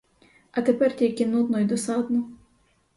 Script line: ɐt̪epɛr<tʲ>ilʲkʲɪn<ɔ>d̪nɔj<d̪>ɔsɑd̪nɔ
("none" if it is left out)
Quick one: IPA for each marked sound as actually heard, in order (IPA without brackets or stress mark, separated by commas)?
tʲ, u, d̪